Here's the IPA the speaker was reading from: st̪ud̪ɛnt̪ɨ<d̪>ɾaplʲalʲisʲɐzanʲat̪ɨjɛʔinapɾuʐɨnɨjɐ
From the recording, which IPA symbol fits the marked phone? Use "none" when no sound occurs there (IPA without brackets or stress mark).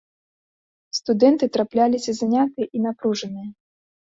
t̪